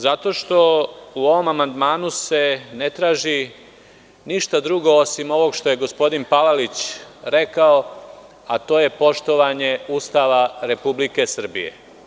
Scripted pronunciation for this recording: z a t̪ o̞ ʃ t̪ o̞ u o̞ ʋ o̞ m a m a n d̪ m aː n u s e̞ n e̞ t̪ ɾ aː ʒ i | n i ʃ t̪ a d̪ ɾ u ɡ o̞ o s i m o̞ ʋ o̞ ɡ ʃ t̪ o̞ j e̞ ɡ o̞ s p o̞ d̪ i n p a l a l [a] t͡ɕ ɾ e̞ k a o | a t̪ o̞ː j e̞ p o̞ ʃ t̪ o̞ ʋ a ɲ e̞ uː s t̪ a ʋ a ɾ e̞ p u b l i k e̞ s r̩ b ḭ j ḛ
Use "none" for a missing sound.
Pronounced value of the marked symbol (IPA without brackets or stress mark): i